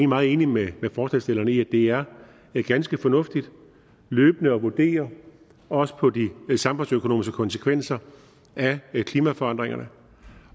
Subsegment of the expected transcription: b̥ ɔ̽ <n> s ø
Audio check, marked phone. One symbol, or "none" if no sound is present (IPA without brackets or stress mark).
n